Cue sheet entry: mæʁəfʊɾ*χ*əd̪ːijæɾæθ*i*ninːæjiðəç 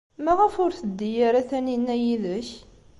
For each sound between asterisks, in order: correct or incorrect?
incorrect: θ, incorrect: æ

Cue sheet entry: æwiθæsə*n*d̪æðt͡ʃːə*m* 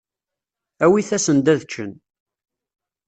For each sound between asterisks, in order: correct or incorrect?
correct, incorrect: n

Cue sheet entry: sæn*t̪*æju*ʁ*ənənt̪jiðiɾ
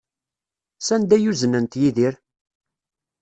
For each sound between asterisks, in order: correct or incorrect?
incorrect: d̪, incorrect: z

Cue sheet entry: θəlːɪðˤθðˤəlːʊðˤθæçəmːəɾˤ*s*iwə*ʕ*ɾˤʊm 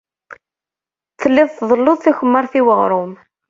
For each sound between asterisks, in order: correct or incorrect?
incorrect: θ, incorrect: ʁ

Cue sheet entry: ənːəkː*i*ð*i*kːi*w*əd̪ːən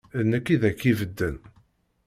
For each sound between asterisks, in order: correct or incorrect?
correct, incorrect: æ, incorrect: v

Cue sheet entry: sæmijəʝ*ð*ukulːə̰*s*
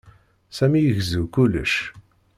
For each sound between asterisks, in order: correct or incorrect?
incorrect: z, incorrect: ʃ

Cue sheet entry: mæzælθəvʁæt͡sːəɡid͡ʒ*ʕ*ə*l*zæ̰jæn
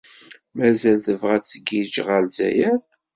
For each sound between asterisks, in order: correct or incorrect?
incorrect: ʁ, correct

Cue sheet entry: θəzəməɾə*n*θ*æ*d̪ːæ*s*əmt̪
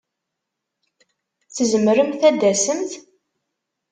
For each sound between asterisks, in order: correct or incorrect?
incorrect: m, correct, correct

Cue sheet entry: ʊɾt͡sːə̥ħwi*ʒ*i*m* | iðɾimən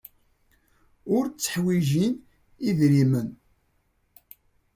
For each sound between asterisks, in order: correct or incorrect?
correct, incorrect: n

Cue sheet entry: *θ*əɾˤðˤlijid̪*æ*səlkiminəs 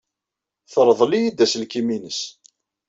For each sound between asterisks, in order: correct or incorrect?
correct, correct

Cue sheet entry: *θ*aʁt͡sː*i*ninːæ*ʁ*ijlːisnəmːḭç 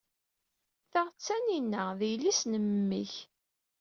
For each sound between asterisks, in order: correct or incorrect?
correct, incorrect: æ, incorrect: ð

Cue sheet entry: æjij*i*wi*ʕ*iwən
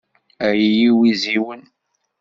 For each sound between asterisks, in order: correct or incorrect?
correct, incorrect: z

